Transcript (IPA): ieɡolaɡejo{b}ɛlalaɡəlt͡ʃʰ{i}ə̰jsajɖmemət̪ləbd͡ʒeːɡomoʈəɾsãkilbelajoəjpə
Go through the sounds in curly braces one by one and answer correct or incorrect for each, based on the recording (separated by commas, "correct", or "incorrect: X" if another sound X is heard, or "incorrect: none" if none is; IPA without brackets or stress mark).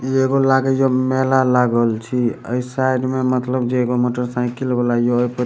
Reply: incorrect: m, correct